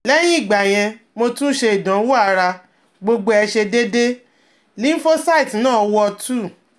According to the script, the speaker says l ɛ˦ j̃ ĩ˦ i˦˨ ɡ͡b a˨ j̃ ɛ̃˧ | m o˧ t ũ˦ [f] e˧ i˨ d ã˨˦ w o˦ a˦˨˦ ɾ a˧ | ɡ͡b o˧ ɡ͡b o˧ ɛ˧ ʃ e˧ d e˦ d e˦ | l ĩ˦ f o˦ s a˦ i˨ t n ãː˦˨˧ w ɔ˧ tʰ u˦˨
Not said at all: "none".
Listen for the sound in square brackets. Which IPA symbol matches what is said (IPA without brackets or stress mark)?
ʃ